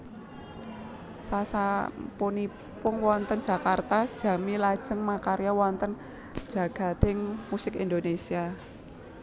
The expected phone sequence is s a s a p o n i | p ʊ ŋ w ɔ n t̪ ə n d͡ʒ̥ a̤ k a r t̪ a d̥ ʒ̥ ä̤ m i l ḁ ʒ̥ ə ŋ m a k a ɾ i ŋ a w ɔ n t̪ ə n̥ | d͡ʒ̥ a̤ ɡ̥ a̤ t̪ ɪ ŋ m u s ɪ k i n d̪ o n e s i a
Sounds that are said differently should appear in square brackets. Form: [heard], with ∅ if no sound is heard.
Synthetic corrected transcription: s a s a p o n i | p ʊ ŋ w ɔ n t̪ ə n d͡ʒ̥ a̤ k a r t̪ a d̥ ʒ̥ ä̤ m i l ḁ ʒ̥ ə ŋ m a k a ɾ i [∅] a w ɔ n t̪ ə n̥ | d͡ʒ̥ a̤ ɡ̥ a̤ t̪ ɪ ŋ m u s ɪ k i n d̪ o n e s i a

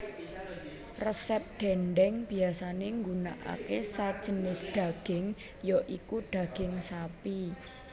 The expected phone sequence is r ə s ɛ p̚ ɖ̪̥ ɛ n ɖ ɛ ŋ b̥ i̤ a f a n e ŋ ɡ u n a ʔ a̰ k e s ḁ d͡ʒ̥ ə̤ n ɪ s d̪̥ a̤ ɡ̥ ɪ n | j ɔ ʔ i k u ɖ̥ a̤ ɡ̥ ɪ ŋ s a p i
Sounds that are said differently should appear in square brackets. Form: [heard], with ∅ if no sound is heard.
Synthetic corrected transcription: r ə s ɛ p̚ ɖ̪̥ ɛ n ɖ ɛ ŋ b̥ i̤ a [s] a n e ŋ ɡ u n a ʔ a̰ k e s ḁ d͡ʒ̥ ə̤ n ɪ s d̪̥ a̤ ɡ̥ ɪ [ŋ] | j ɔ ʔ i k u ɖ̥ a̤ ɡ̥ ɪ ŋ s a p i

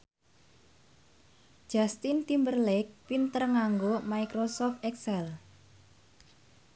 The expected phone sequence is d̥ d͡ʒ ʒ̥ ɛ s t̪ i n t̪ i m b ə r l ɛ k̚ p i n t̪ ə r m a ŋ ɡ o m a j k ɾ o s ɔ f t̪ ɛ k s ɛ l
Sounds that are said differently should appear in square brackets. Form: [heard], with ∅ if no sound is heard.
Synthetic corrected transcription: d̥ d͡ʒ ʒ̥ [a] s t̪ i n t̪ i m b ə r l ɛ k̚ p i n t̪ ə r [ŋ] a ŋ ɡ o m a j k ɾ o s ɔ f t̪ ɛ k s ɛ l

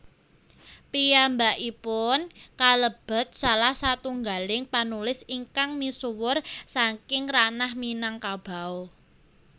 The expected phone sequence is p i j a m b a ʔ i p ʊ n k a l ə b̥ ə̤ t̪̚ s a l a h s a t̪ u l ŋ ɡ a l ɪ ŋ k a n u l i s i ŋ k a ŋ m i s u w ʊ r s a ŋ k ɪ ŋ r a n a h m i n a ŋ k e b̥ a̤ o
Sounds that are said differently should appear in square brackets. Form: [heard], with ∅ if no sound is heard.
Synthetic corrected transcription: p i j a m b a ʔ i p ʊ n k a l ə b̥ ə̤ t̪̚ s a l a h s a t̪ u [∅] ŋ ɡ a l ɪ ŋ [p] a n u l [ɪ] s i ŋ k a ŋ m i s u w ʊ r s a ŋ k ɪ ŋ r a n a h m i n a ŋ k [a] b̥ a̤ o

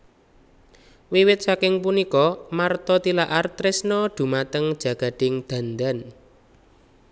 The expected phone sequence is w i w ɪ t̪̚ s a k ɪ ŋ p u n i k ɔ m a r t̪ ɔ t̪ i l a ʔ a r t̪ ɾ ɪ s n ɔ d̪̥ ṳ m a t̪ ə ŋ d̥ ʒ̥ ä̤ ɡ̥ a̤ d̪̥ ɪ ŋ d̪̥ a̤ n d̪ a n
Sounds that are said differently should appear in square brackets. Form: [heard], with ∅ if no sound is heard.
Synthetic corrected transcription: w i w ɪ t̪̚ s a k ɪ ŋ p u n i k ɔ m a r t̪ ɔ t̪ i l a ʔ a r t̪ ɾ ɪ s n ɔ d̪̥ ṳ m a t̪ ə ŋ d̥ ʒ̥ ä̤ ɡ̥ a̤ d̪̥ ɪ ŋ d̪̥ a̤ n d̪ a n

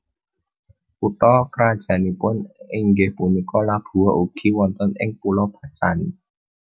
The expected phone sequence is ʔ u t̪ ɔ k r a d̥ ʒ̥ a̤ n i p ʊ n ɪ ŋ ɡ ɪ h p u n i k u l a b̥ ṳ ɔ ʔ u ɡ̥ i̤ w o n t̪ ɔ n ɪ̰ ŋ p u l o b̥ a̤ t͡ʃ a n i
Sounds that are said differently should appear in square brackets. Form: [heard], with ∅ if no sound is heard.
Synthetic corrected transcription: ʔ u t̪ ɔ k [ɾ] a d̥ ʒ̥ a̤ n i p ʊ n ɪ ŋ ɡ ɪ h p u n i k [ɔ] l a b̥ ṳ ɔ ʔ u ɡ̥ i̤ w [ɔ] n t̪ ɔ n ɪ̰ ŋ p u l [ɔ] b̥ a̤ t͡ʃ a n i

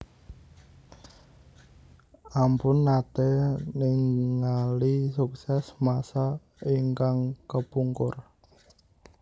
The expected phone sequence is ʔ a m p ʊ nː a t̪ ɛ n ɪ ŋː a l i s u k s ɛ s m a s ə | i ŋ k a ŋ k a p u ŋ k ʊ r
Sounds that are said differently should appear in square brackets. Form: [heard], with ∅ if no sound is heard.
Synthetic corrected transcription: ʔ a m p ʊ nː a t̪ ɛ n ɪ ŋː a l i s u k s ɛ s m a s [a] | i ŋ k a ŋ k [ə] p u ŋ k ʊ r

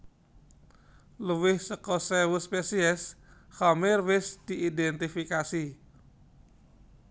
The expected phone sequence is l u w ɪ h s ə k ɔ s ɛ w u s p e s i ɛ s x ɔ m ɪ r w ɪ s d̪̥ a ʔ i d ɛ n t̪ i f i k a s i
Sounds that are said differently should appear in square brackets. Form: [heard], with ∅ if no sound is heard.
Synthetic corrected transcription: l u w ɪ h s ə k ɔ s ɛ w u s p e s i ɛ s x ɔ m ɪ r w ɪ s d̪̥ [i] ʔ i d ɛ n t̪ i f i k a s i

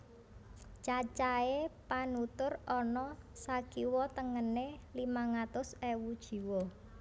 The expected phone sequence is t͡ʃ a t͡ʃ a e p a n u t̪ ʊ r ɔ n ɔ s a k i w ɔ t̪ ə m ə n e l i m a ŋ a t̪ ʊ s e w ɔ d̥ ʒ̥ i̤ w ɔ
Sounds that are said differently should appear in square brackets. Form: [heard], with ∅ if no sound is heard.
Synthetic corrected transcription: t͡ʃ a t͡ʃ a e p a n u t̪ ʊ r ɔ n ɔ s a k i w ɔ t̪ ə [ŋ] ə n e l i m a ŋ a t̪ ʊ s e w [u] d̥ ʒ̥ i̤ w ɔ

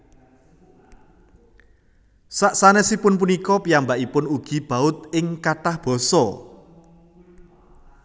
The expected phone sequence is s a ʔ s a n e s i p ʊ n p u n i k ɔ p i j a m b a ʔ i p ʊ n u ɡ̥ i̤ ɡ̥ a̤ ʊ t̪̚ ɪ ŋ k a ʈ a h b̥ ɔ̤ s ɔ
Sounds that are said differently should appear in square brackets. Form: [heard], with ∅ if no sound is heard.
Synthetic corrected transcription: s a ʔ s a n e s i p ʊ n p u n i k ɔ p i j a m b a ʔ i p ʊ n u ɡ̥ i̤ [b̥] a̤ ʊ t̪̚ ɪ ŋ k a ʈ a h b̥ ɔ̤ s ɔ

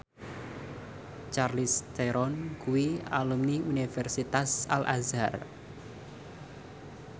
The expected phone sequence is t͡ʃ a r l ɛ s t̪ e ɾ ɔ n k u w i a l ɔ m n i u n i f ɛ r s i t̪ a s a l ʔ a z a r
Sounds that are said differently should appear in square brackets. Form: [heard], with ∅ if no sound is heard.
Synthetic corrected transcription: t͡ʃ a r l [i] s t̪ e ɾ ɔ n k u w i a l [u] m n i u n i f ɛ r s i t̪ a s a l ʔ a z a r

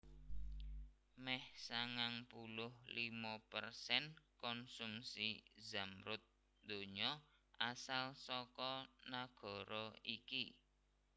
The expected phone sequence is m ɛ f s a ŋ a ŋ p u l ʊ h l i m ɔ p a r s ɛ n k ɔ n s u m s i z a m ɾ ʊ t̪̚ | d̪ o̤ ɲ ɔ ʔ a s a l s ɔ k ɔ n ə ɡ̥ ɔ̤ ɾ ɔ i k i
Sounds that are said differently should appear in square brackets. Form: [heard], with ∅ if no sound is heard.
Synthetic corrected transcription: m ɛ [h] s a ŋ a ŋ p u l ʊ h l i m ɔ p [ə] r s ɛ n k ɔ n s u m s i z a m ɾ ʊ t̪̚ | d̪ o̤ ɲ ɔ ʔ a s a l s ɔ k ɔ n [a] ɡ̥ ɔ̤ ɾ ɔ i k i

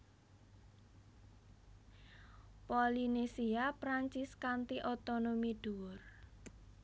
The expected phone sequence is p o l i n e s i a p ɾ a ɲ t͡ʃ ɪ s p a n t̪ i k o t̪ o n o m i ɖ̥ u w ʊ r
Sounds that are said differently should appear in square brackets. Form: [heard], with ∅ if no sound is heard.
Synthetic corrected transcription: p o l i n e s i a p ɾ a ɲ t͡ʃ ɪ s [k] a n t̪ i [ʔ] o t̪ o n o m i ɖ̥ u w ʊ r

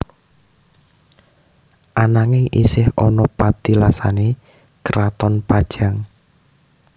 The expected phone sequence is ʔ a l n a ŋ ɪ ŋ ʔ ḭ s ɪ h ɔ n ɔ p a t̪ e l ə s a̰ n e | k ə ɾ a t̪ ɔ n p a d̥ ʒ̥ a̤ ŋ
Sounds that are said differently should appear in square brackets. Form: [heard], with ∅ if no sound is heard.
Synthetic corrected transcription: ʔ a [∅] n a ŋ ɪ ŋ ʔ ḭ s ɪ h ɔ n ɔ p a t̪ [i] l [a] s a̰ n e | k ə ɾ a t̪ ɔ n p a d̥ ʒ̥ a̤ ŋ

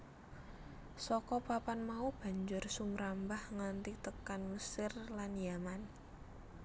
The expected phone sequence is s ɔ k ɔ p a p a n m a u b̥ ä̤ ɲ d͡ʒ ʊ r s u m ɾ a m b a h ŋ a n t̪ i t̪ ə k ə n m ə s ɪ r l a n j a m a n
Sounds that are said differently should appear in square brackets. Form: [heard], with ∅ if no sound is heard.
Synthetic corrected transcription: s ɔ k ɔ p a p a n m a u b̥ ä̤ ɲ d͡ʒ ʊ r s u m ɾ a m b a h ŋ a n t̪ i t̪ ə k [a] n m ə s ɪ r l a n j a m a n

